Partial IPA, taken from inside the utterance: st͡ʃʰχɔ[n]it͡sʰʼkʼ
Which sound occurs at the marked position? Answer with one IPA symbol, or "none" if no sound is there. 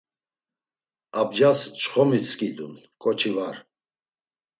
m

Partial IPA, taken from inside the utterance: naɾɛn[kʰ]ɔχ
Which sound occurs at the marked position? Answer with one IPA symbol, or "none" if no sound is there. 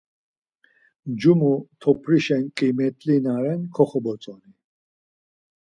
kʰ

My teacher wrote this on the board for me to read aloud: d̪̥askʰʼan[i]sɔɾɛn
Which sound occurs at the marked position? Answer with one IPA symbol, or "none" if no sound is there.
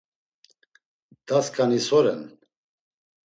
i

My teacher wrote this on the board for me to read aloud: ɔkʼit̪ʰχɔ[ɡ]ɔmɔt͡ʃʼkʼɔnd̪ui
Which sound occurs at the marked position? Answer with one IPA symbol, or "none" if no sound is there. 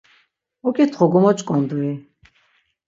ɡ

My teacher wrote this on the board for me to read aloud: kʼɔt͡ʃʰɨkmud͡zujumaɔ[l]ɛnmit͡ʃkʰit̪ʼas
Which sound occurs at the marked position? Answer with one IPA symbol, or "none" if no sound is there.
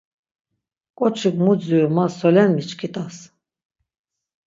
l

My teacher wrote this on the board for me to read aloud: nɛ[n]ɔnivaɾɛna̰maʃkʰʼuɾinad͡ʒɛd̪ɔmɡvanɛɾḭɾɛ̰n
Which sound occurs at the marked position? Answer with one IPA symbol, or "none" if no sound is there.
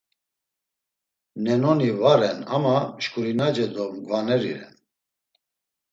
n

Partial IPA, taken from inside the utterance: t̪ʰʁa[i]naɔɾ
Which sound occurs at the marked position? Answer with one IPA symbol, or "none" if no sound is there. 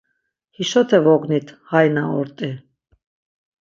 j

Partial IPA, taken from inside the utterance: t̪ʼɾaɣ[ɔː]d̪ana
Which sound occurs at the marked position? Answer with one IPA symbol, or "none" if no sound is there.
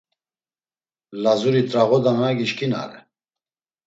ɔ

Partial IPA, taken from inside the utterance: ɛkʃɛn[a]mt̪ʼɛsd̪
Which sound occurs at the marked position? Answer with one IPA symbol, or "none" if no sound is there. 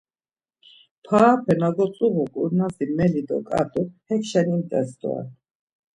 i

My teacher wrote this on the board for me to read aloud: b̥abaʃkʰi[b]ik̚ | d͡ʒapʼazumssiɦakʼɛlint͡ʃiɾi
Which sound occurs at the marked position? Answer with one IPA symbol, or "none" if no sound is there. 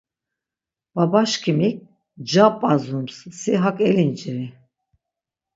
m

